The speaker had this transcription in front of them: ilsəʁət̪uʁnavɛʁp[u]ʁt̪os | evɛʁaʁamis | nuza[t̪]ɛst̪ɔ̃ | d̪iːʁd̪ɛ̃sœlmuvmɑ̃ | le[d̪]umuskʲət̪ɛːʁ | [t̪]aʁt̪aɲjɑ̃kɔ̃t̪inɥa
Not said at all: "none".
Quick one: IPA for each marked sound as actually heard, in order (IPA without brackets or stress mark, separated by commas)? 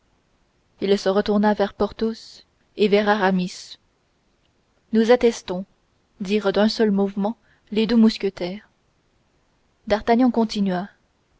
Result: ɔ, t̪, d̪, d̪